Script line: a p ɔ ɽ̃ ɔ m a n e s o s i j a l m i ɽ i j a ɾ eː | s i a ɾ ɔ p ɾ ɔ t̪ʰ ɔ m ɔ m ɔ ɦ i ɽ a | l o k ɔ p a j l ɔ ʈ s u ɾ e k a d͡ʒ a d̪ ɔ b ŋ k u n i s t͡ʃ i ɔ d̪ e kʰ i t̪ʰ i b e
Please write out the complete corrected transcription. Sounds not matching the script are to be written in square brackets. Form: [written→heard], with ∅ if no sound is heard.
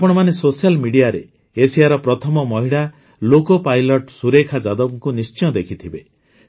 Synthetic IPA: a p ɔ ɽ̃ ɔ m a n e s o s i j a l m i ɽ i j a ɾ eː | s i a ɾ ɔ p ɾ ɔ t̪ʰ ɔ m ɔ m ɔ ɦ i ɽ a | l o k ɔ p a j l ɔ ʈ s u ɾ e [k→kʰ] a d͡ʒ a d̪ ɔ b ŋ k u n i s t͡ʃ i ɔ d̪ e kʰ i t̪ʰ i b e